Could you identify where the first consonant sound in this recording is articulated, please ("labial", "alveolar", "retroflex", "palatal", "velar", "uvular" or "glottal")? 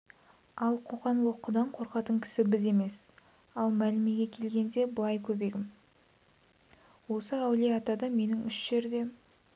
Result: alveolar